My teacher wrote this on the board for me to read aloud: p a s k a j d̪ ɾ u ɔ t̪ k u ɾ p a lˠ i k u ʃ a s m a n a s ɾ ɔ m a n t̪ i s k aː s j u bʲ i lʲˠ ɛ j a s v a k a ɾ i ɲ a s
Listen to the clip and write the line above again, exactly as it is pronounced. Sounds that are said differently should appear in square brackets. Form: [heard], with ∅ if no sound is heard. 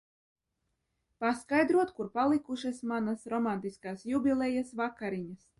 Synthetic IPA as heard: p a s k a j d̪ ɾ u ɔ t̪ k u ɾ p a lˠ i k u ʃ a s m a n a s ɾ ɔ m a n t̪ i s k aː s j u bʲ i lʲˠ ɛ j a s v a k a ɾ i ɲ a s